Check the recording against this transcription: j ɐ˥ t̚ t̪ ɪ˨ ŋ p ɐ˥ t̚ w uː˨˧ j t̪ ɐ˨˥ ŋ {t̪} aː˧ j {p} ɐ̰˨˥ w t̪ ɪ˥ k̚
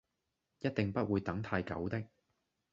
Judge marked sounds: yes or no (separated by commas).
no, no